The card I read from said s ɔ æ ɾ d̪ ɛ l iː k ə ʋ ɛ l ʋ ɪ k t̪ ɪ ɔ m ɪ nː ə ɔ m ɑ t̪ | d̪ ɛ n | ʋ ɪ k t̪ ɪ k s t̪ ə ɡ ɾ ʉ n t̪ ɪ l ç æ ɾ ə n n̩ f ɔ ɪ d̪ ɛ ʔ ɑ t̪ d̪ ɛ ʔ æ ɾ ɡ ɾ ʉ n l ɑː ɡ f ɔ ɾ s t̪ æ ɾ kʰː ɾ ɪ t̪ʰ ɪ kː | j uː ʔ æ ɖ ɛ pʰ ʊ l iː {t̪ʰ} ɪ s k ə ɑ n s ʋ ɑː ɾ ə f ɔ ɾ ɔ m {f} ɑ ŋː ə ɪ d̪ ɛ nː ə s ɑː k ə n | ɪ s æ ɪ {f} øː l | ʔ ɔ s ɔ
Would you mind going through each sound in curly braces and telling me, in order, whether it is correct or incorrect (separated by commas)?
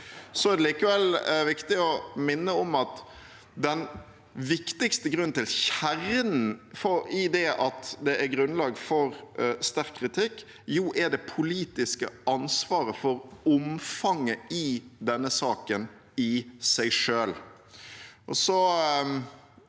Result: incorrect, correct, incorrect